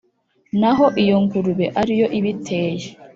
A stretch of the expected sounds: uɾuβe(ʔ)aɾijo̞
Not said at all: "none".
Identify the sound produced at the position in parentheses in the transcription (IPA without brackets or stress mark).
ʔ